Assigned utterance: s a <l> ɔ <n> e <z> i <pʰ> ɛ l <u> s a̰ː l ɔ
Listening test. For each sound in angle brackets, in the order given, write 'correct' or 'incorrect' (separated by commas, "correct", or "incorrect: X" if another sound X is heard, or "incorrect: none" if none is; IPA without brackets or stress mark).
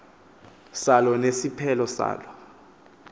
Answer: correct, correct, incorrect: s, correct, incorrect: ɔ